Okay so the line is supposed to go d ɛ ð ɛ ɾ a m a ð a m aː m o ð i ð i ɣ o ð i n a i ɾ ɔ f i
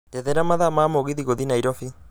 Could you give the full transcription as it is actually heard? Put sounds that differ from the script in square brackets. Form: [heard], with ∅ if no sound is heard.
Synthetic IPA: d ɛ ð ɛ ɾ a m a ð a m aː m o [ɣ] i ð i ɣ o ð i n a i ɾ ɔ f i

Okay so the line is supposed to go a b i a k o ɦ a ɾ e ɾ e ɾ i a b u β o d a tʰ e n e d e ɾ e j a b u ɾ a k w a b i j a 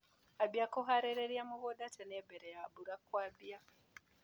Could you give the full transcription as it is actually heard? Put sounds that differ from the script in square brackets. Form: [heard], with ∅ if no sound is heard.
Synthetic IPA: a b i a k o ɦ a ɾ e ɾ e ɾ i a [m] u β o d a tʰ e n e [b] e ɾ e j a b u ɾ a k w a b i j a

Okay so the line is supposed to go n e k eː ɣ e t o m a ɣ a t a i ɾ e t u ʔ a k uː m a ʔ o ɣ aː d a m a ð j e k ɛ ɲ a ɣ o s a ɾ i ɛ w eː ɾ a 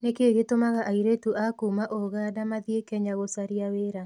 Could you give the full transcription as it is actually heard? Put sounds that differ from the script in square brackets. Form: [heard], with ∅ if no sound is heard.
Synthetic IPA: n e k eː ɣ e t o m a ɣ a [ʔ] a i ɾ e t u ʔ a k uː m a ʔ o ɣ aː d a m a ð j e k ɛ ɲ a ɣ o s a ɾ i [a] w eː ɾ a

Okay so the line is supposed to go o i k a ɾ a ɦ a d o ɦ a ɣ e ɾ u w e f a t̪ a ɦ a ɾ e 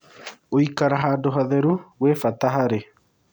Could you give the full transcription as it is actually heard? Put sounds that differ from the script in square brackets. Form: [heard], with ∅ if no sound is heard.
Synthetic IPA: o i k a ɾ a ɦ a d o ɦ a [ð] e ɾ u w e f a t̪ a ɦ a ɾ e

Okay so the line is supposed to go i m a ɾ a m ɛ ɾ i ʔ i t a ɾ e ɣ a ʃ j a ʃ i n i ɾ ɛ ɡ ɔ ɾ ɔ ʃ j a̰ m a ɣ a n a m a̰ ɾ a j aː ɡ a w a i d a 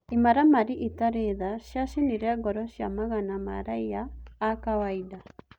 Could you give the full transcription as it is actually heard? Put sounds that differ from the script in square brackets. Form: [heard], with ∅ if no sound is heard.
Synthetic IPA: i m a ɾ a m [a] ɾ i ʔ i t a ɾ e [ð] a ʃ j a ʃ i n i ɾ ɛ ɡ ɔ ɾ ɔ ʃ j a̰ m a ɣ a n a m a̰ ɾ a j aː [k] a w a i d a

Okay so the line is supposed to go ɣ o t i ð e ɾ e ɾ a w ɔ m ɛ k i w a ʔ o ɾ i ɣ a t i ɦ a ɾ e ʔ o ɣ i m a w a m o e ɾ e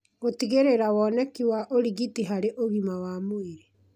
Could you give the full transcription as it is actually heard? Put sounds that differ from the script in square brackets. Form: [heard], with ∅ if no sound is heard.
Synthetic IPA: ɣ o t i [ɣ] e ɾ e ɾ a w ɔ [n] ɛ k i w a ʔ o ɾ i ɣ [i] t i ɦ a ɾ e ʔ o ɣ i m a w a m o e ɾ e

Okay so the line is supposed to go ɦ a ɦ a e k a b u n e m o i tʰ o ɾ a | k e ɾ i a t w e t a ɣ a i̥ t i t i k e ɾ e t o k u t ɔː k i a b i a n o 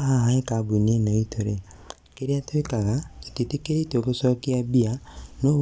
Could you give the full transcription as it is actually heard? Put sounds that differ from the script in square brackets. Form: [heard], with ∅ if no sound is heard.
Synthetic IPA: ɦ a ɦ a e k a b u n e [n] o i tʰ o ɾ [e] | k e ɾ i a t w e [k] a ɣ a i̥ t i t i k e ɾ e t o k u [s] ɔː k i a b i a n o

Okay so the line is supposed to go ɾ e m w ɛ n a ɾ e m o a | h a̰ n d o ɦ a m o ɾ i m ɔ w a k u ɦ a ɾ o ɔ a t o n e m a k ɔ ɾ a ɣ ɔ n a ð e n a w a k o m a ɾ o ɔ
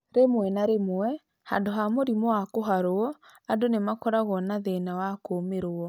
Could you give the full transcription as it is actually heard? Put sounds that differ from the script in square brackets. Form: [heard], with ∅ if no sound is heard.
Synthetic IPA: ɾ e m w ɛ n a ɾ e m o [ɛ] | h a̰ n d o ɦ a m o ɾ i m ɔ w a k [o] ɦ a ɾ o ɔ a [d] o n e m a k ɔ ɾ a ɣ ɔ n a ð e n a w a k o m [e] ɾ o ɔ

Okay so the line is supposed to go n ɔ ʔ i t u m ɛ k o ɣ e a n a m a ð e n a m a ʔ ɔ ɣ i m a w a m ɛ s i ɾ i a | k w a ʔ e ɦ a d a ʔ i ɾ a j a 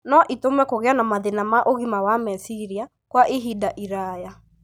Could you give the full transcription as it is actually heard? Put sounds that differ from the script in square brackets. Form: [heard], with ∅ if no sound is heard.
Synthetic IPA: n ɔ ʔ i t [o] m ɛ k o ɣ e a n a m a ð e n a m a ʔ [o] ɣ i m a w a m ɛ s i ɾ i a | k w a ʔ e ɦ [i] d a ʔ i ɾ a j a

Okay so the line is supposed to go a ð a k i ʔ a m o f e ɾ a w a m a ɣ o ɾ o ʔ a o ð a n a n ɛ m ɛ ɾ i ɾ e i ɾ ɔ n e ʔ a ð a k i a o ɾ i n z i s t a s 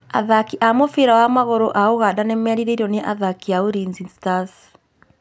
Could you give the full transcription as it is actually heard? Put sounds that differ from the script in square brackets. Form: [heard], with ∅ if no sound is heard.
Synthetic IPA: a ð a k i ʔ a m o f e ɾ a w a m a ɣ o ɾ o ʔ a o [ɣ] a [d] a n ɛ m ɛ ɾ i ɾ e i ɾ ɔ n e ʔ a ð a k i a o ɾ i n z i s t a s

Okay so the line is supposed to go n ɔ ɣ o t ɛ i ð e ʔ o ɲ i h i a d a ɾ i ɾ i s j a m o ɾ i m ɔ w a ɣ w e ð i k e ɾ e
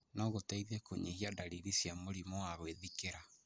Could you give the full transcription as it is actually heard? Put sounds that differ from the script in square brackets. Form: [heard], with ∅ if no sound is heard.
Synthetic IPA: n ɔ ɣ o t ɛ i ð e [k] o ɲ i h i a d a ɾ i ɾ i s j a m o ɾ i m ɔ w a ɣ w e ð i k e ɾ [a]

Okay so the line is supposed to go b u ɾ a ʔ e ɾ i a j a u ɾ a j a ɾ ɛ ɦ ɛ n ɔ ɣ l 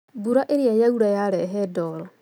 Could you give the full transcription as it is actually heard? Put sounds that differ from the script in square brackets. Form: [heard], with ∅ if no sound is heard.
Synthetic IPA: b u ɾ a ʔ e ɾ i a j a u ɾ a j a ɾ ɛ ɦ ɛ [d] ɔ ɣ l

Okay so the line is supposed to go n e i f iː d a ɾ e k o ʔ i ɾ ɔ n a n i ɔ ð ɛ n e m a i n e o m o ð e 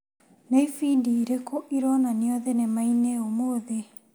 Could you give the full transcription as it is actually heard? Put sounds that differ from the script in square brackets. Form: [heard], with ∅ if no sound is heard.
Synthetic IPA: n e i f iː d [i] ɾ e k o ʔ i ɾ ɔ n a n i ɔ ð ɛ n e m a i n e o m o ð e

